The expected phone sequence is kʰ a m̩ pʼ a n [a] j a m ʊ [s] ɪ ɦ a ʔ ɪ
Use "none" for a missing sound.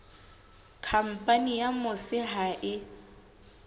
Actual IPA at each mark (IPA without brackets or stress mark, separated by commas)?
i, s